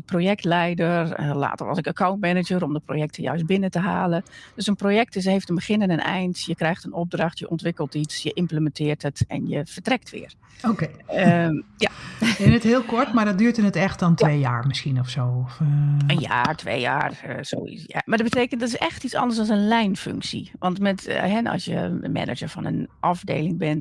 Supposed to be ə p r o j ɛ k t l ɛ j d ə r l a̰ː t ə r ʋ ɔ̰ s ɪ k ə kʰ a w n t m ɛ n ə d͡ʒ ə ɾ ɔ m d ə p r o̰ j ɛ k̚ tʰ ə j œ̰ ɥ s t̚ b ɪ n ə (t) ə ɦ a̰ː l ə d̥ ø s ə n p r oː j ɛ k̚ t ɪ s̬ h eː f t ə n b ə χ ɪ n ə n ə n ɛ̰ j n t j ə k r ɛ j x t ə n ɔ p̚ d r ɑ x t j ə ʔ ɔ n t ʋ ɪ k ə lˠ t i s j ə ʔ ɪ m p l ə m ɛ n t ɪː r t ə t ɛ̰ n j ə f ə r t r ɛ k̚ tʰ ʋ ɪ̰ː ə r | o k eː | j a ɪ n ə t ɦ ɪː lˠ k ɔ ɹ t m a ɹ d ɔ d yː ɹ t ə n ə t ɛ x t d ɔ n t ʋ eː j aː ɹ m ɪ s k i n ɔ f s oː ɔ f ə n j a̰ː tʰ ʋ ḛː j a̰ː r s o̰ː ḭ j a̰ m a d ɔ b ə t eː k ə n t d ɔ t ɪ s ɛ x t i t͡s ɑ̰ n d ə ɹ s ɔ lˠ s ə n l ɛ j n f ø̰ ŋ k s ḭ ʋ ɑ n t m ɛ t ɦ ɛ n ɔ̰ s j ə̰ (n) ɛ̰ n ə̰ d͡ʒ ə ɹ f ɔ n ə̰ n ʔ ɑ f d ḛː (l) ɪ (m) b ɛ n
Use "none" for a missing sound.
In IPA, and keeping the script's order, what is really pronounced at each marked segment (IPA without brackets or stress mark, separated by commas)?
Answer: t, m, l, ŋ